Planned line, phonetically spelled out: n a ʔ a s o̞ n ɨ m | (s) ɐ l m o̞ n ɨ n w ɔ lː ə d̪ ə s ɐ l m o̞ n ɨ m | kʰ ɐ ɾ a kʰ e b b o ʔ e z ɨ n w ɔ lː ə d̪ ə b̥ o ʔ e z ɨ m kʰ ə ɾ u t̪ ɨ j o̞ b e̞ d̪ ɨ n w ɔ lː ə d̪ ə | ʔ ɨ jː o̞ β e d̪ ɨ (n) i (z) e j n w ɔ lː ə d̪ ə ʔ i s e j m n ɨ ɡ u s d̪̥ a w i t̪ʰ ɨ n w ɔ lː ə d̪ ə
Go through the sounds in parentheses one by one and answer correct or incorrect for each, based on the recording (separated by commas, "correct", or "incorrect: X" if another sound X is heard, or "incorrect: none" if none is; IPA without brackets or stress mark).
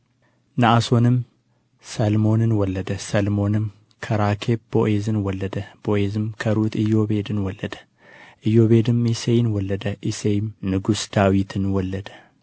correct, incorrect: m, incorrect: s